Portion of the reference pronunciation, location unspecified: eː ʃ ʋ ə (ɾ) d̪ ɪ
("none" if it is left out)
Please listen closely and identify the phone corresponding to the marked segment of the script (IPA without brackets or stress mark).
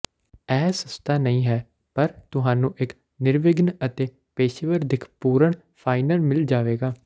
ɾ